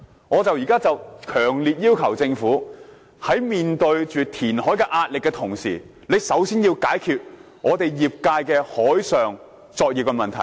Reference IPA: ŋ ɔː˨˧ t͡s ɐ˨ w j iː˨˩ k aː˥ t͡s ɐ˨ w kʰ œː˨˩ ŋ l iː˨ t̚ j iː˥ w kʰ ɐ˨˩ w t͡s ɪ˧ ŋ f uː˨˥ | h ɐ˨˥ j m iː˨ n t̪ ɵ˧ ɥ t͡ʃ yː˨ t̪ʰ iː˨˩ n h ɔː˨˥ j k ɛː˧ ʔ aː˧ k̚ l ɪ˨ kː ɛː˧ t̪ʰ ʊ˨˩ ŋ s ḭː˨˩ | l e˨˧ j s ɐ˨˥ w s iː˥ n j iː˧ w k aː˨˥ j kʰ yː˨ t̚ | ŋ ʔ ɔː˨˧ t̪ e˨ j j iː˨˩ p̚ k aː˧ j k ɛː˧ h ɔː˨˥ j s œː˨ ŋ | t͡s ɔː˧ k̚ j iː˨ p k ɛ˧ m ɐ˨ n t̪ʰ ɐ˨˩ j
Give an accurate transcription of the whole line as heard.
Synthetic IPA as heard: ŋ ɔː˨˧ t͡s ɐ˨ w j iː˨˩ k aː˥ t͡s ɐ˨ w kʰ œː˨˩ ŋ l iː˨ t̚ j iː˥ w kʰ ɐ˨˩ w t͡s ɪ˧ ŋ f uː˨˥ | h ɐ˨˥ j m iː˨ n t̪ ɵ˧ ɥ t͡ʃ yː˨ t̪ʰ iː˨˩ n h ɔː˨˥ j k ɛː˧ ʔ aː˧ t̚ l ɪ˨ kː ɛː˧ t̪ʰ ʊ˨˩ ŋ s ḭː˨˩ | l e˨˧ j s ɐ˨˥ w s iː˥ n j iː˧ w k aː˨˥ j kʰ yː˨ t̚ | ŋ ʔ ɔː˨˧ t̪ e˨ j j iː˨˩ p̚ k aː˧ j k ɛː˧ h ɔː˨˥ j s œː˨ ŋ | t͡s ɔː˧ k̚ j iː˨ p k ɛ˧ m ɐ˨ n t̪ʰ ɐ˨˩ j